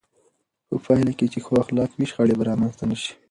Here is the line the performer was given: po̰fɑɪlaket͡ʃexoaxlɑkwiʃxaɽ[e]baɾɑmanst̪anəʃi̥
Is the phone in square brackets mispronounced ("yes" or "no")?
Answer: no